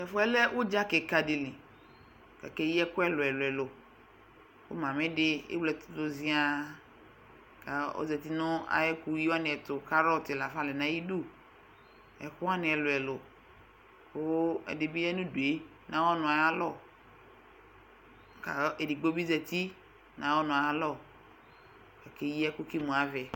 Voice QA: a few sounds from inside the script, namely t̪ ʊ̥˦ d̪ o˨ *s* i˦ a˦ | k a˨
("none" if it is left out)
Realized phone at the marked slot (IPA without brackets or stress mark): z